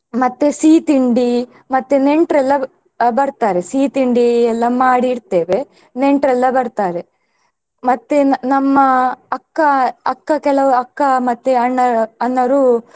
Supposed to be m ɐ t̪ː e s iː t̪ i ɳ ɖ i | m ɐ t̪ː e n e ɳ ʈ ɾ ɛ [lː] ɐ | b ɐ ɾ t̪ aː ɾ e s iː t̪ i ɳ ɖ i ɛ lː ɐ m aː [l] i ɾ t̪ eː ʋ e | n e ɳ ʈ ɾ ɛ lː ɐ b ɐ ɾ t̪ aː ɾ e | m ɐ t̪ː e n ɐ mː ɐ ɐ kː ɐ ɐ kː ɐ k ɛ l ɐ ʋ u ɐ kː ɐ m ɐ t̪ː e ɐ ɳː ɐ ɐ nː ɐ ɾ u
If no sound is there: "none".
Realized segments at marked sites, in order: lː, ɽ

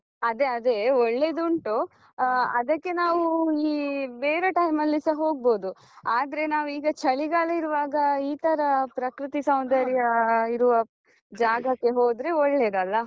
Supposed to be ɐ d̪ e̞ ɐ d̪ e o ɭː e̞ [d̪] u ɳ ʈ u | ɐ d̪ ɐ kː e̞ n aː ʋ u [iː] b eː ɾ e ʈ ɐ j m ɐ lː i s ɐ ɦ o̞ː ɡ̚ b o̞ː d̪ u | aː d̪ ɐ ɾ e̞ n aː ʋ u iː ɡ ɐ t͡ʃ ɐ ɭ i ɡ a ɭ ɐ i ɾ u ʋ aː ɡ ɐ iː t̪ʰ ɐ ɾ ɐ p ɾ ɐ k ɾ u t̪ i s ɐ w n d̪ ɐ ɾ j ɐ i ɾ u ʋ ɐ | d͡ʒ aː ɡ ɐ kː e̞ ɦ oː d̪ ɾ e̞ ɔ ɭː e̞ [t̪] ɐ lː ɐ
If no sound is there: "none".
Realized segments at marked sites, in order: d̪, iː, d̪

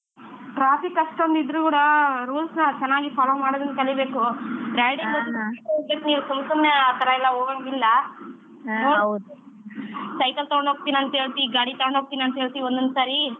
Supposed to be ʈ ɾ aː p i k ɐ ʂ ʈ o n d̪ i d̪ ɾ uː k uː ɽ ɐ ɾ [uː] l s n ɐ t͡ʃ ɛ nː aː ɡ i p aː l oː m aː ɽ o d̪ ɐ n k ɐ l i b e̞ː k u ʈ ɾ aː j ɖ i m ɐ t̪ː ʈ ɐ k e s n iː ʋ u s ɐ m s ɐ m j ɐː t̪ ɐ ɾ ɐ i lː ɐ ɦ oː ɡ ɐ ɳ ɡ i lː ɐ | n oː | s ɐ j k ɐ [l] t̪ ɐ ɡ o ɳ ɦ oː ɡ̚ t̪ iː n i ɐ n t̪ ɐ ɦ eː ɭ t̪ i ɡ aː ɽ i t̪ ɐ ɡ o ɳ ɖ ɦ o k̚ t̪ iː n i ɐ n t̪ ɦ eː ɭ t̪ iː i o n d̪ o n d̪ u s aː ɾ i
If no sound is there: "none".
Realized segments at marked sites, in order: uː, l

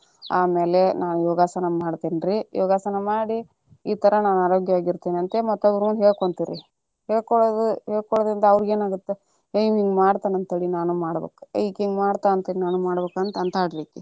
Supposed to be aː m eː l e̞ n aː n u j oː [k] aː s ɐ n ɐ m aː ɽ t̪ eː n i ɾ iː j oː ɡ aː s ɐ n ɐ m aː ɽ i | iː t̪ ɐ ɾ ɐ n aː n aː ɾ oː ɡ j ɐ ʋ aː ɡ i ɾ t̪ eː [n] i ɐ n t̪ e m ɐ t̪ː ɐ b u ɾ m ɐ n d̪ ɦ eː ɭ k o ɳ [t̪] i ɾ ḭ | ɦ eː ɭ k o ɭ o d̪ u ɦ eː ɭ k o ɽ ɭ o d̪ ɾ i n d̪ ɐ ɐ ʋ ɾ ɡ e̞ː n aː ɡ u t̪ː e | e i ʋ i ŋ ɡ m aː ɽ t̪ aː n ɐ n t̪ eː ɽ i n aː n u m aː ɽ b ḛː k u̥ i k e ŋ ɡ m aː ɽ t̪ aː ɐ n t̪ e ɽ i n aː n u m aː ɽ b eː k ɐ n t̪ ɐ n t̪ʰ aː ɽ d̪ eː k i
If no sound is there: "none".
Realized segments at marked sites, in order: ɡ, n, t̪

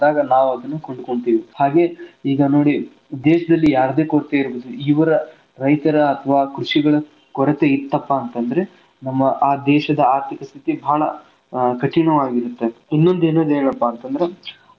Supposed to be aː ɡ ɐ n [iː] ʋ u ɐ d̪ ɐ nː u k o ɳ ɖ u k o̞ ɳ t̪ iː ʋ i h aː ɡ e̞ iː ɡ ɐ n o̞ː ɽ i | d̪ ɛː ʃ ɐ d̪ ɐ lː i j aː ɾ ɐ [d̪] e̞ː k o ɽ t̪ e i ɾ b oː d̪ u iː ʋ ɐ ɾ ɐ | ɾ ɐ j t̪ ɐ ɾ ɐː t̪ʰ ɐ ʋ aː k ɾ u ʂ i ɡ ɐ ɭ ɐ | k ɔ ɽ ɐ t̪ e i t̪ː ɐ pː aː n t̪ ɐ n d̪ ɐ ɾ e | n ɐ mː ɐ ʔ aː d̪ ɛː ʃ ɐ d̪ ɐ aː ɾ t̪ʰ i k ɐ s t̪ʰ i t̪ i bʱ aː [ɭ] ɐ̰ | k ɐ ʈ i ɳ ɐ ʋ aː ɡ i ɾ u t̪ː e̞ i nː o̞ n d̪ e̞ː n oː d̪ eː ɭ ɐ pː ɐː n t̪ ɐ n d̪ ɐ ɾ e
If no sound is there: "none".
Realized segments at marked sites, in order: aː, d̪, ɭ

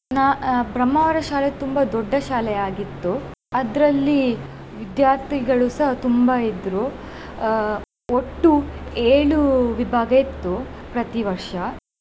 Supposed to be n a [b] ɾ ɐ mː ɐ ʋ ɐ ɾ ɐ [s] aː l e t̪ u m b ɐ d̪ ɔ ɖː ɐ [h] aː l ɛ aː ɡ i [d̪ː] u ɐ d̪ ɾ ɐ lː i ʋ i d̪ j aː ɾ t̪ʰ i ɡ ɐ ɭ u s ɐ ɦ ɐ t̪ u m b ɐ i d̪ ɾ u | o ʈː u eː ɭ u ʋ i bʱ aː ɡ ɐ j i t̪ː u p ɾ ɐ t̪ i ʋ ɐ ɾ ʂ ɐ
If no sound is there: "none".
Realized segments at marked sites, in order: b, ʃ, ʃ, t̪ː

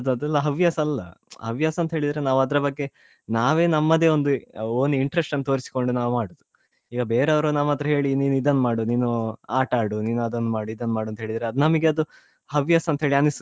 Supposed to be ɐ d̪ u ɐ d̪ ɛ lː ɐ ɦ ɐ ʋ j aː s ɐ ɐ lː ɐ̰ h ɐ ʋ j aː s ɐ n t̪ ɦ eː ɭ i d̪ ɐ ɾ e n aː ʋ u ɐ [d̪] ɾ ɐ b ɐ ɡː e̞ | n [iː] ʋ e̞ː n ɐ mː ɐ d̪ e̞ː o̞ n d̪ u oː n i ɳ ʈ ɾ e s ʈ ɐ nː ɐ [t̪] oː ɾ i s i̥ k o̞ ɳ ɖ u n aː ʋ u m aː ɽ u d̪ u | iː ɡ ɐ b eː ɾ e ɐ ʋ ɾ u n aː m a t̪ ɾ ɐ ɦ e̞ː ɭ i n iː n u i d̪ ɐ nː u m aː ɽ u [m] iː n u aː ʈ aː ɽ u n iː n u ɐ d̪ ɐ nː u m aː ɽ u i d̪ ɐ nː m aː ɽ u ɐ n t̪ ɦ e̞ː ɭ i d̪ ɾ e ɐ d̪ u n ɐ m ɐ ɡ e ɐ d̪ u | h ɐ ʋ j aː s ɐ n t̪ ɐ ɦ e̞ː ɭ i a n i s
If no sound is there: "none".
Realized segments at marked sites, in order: d̪, aː, t̪, n

